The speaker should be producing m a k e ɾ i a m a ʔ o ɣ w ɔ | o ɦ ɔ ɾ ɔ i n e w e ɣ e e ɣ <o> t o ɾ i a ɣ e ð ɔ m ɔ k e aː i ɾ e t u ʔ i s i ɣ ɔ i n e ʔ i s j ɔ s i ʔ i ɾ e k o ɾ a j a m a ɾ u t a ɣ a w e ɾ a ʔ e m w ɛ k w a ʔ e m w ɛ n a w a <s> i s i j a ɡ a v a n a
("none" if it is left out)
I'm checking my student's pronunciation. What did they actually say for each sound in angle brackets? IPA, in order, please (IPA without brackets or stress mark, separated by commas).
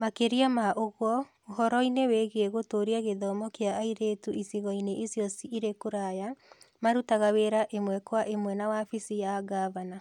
o, f